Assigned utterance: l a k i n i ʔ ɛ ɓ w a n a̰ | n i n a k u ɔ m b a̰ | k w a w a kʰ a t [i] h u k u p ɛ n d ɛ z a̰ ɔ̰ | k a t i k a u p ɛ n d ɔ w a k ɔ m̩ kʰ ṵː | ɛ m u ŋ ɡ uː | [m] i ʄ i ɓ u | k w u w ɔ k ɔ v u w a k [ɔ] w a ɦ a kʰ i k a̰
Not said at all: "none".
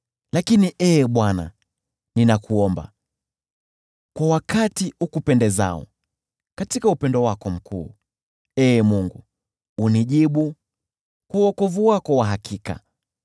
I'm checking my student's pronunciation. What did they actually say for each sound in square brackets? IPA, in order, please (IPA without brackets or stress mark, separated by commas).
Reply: i, n, ɔ